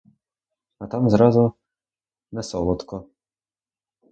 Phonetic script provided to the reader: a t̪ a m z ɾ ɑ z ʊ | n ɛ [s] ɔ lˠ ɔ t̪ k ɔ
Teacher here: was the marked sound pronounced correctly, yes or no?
yes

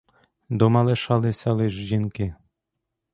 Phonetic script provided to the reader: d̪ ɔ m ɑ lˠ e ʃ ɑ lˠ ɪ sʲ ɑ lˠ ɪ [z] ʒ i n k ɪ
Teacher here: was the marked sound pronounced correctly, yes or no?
no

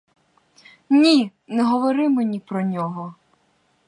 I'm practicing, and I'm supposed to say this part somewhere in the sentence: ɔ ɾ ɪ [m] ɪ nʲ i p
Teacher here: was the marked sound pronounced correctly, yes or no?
yes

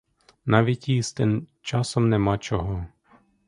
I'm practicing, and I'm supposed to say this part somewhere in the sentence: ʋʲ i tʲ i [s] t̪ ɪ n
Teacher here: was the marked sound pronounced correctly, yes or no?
yes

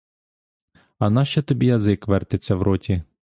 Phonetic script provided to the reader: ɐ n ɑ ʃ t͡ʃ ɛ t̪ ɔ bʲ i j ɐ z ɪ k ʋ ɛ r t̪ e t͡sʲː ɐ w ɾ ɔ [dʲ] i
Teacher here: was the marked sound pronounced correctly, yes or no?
no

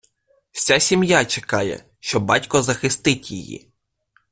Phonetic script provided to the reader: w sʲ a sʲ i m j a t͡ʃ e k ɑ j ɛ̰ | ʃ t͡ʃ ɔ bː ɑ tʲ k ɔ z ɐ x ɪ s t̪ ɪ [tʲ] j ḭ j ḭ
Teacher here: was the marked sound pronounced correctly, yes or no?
yes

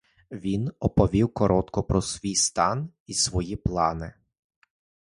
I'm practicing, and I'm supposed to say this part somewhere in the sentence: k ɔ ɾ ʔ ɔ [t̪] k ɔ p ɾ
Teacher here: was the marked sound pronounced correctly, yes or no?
yes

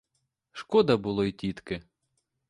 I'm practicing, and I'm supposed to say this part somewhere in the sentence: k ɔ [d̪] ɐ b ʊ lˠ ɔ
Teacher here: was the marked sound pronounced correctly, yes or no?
yes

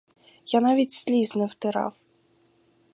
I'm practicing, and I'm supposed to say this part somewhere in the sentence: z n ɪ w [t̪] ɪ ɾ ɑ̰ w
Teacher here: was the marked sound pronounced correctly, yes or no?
yes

